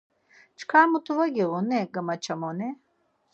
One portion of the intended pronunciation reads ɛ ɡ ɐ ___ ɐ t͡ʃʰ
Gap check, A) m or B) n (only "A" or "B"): A